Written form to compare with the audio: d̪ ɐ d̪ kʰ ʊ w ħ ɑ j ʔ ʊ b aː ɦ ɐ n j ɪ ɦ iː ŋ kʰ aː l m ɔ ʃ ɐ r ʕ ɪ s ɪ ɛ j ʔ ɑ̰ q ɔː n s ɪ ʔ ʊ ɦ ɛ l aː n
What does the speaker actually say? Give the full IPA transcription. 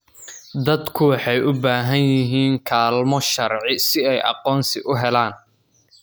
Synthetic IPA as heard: d̪ ɐ d̪ kʰ ʊ w ħ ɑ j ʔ ʊ b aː ɦ ɐ n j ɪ ɦ iː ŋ kʰ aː l m ɔ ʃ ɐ r ʕ ɪ s ɪ ɛ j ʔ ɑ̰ q ɔː n s ɪ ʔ ʊ ɦ ɛ l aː n

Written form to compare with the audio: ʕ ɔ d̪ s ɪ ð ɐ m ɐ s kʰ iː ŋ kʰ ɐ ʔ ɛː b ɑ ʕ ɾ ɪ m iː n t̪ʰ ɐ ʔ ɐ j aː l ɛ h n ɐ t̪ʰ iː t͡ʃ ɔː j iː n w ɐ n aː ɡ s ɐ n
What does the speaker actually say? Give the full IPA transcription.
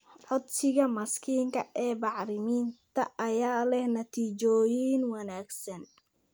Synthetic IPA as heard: ʕ ɔ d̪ s ɪ ɣ ɐ m ɐ s kʰ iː ŋ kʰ ɐ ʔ ɛː b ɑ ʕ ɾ ɪ m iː n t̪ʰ ɐ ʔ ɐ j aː l ɛ h n ɐ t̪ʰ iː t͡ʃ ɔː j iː n w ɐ n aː ɡ s ɐ n

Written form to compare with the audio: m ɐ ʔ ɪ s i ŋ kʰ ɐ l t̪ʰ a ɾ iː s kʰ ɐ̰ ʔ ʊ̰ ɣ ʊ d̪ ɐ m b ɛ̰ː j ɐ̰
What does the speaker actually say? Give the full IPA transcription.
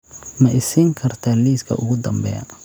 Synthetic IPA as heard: m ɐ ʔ ɪ s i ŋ kʰ ɐ r t̪ʰ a l iː s kʰ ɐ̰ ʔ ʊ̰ ɣ ʊ d̪ ɐ m b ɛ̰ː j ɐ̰

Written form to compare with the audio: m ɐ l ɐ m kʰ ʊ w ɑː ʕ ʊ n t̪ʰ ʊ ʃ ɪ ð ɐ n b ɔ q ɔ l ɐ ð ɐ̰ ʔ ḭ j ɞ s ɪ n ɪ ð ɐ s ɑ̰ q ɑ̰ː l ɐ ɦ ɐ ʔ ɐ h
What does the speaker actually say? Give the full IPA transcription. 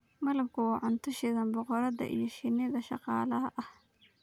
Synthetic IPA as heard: m ɐ l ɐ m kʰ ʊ w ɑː ʕ ʊ n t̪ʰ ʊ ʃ ɪ ð ɐ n b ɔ q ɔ ɾ ɐ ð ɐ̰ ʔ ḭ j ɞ ʃ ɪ n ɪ ð ɐ ʃ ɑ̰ q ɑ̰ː l ɐ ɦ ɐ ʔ ɐ h

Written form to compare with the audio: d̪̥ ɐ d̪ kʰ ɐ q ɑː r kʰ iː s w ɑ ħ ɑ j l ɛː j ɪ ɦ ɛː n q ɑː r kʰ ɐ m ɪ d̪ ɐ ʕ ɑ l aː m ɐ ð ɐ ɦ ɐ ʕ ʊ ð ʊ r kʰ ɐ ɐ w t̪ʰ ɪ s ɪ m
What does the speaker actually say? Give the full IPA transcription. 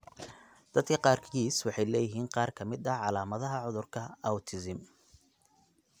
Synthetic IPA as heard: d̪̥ ɐ d̪ kʰ ɐ q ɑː r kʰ iː s w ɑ ħ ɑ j l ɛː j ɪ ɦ iː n q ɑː r kʰ ɐ m ɪ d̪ ɐ ʕ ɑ l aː m ɐ ð ɐ ɦ ɐ ʕ ʊ ð ʊ r kʰ ɐ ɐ w t̪ʰ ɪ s ɪ m

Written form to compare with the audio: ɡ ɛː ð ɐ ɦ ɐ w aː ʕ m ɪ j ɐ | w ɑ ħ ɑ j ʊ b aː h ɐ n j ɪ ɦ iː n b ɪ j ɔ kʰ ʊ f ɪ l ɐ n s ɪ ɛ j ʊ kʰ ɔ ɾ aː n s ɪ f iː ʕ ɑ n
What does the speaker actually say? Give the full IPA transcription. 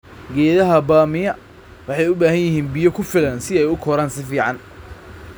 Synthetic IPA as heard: ɡ ɛː ð ɐ ɦ ɐ b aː m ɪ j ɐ | w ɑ ħ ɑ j ʊ b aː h ɐ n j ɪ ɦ iː n b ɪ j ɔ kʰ ʊ f ɪ l ɐ n s ɪ ɛ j ʊ kʰ ɔ ɾ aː n s ɪ f iː ʕ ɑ n

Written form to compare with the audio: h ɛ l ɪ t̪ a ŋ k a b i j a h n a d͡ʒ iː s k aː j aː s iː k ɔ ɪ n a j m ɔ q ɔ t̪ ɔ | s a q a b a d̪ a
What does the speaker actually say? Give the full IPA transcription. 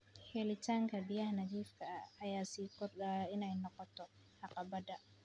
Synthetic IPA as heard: h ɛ l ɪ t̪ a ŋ k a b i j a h n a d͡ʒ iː f k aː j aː s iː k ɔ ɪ n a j n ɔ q ɔ t̪ ɔ | h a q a b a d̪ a

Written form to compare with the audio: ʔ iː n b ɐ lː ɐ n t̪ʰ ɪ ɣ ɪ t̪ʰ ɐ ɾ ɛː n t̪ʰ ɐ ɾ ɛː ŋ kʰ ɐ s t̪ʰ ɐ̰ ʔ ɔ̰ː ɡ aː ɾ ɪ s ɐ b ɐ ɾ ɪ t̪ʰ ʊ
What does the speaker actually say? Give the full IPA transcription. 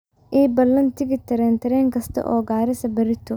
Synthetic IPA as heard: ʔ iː b ɐ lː ɐ n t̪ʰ ɪ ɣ ɪ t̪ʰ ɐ ɾ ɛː n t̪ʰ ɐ ɾ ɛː ŋ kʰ ɐ s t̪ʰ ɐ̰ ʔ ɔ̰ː ɡ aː ɾ ɪ s ɐ b ɐ ɾ ɪ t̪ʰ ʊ

